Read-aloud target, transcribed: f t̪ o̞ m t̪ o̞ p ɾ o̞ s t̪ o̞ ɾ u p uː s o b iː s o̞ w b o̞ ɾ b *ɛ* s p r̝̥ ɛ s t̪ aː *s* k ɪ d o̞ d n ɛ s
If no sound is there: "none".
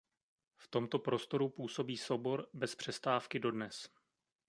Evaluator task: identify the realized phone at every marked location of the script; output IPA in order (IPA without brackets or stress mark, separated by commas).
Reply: ɛ, f